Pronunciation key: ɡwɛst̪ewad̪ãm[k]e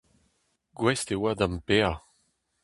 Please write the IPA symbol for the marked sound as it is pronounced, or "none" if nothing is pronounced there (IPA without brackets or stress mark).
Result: p